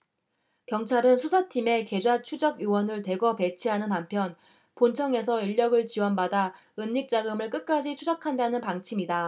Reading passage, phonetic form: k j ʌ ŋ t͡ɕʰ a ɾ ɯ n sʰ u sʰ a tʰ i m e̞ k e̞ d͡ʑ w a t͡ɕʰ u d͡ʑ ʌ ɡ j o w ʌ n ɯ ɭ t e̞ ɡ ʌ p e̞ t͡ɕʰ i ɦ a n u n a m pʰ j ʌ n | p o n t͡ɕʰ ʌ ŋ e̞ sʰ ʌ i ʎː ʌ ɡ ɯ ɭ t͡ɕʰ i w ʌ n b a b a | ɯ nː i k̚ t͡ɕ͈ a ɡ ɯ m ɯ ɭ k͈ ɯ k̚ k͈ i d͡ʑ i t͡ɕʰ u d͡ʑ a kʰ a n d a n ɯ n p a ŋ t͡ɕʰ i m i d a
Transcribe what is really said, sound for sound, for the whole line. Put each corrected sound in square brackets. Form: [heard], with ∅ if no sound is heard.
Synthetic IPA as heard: k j ʌ ŋ t͡ɕʰ a ɾ ɯ n sʰ u sʰ a tʰ i m e̞ k e̞ d͡ʑ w a t͡ɕʰ u d͡ʑ ʌ ɡ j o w ʌ n ɯ ɭ t e̞ ɡ ʌ p e̞ t͡ɕʰ i ɦ a n [ɯ] n a m pʰ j ʌ n | p o n t͡ɕʰ ʌ ŋ e̞ sʰ ʌ i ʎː ʌ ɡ ɯ ɭ [t͡ɕ] i w ʌ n b a [d] a | ɯ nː i k̚ t͡ɕ͈ a ɡ ɯ m ɯ ɭ k͈ ɯ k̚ k͈ [a] d͡ʑ i t͡ɕʰ u d͡ʑ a kʰ a n d a n ɯ n p a ŋ t͡ɕʰ i m i d a